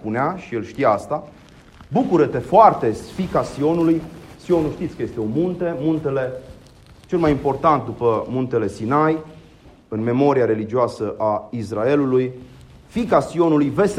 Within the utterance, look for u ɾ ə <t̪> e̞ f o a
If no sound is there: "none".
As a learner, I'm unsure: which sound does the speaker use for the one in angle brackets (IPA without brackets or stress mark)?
t̪